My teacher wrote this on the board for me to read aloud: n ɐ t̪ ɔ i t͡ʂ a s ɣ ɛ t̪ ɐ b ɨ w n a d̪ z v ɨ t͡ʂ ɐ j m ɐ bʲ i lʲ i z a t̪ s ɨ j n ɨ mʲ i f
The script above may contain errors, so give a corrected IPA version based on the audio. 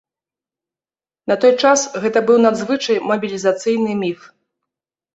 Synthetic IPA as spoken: n ɐ t̪ ɔ j t͡ʂ a s ɣ ɛ t̪ ɐ b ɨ w n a d̪ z v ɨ t͡ʂ ɐ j m ɐ bʲ i lʲ i z a t̪ s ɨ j n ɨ mʲ i f